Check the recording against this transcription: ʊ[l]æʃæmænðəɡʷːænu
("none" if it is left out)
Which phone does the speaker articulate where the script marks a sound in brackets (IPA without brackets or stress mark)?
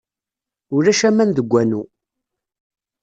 ɾ